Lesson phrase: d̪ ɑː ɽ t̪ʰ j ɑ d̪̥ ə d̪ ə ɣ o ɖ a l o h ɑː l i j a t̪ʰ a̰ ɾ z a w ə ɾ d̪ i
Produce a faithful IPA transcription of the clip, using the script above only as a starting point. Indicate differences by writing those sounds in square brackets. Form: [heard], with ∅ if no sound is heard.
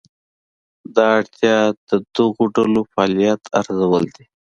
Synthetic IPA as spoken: d̪ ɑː ɽ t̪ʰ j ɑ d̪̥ ə d̪ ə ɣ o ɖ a l o [f] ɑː l i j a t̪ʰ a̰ ɾ z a w ə [l] d̪ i